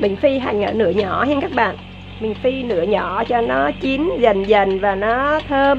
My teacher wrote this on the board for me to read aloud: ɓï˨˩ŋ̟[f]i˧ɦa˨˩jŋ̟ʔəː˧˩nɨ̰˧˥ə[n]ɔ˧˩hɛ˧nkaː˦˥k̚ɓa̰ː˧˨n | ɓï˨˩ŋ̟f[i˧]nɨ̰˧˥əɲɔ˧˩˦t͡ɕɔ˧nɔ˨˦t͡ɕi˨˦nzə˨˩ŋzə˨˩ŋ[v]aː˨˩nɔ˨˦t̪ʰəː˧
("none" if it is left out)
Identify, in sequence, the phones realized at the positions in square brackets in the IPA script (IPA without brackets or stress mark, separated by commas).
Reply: f, ɲ, i˧, v